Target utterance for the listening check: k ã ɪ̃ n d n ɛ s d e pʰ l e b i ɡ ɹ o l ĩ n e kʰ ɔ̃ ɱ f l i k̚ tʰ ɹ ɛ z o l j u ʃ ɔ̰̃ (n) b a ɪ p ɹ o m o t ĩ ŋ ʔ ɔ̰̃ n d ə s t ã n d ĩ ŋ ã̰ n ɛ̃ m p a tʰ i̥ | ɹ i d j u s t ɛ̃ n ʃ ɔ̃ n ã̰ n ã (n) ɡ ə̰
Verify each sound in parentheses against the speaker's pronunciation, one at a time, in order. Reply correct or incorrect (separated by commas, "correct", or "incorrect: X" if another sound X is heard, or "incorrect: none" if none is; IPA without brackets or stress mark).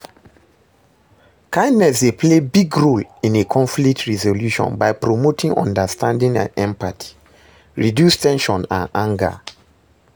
correct, incorrect: ŋ